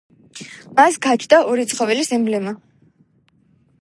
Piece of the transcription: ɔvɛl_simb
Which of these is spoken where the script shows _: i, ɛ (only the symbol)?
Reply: i